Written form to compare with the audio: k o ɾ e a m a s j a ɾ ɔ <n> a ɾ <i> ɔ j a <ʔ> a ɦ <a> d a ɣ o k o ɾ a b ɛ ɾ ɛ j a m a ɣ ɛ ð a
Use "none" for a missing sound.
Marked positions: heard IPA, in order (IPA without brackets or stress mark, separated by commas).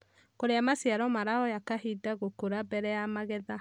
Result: m, a, k, i